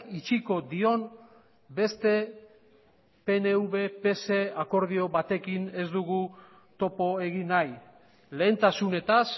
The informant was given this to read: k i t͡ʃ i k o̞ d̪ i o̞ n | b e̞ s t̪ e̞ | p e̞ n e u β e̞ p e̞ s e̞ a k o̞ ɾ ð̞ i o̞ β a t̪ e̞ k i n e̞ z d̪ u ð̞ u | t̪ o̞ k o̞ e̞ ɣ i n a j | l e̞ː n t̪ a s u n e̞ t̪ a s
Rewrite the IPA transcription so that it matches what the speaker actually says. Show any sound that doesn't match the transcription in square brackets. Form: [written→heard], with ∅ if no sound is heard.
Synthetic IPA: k i t͡ʃ i k o̞ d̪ i o̞ n | b e̞ s t̪ e̞ | p e̞ n e u β e̞ p e̞ s e̞ a k o̞ ɾ ð̞ i o̞ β a t̪ e̞ k i n e̞ z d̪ u [ð̞→ɣ̞] u | t̪ o̞ [k→p] o̞ e̞ ɣ i n a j | l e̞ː n t̪ a s u n e̞ t̪ a s